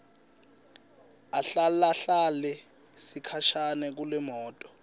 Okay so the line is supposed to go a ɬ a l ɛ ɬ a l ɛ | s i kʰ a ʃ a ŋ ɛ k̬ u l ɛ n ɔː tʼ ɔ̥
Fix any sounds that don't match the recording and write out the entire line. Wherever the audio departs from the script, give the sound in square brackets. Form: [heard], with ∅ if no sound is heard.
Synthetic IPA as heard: a ɬ a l [a] ɬ a l ɛ | s i kʰ a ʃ a [n] ɛ k̬ u l ɛ [m] ɔː tʼ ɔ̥